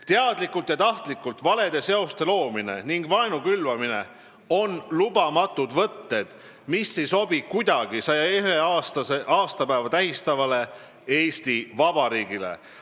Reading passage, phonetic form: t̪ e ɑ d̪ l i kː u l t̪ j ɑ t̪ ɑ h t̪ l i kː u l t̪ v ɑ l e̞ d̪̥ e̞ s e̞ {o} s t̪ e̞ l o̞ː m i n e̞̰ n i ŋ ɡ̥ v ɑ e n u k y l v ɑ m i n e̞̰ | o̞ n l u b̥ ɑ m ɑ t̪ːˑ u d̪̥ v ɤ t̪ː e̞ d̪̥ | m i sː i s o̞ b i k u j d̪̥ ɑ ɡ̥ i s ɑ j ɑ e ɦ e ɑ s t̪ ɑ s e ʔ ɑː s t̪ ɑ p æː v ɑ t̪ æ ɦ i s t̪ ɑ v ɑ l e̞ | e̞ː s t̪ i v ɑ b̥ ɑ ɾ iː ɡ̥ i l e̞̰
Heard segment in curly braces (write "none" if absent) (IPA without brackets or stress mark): o